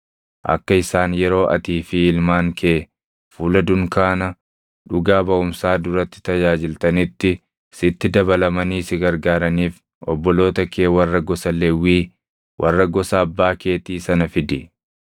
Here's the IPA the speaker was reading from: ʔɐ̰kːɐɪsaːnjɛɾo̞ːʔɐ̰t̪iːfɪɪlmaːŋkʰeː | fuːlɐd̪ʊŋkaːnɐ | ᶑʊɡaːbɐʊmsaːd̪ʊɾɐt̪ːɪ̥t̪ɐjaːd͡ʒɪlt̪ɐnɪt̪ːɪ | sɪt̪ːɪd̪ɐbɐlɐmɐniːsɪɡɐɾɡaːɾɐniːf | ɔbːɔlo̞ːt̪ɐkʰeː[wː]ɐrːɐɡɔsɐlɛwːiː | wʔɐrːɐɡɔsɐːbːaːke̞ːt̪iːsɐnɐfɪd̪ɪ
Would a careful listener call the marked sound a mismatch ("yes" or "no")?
yes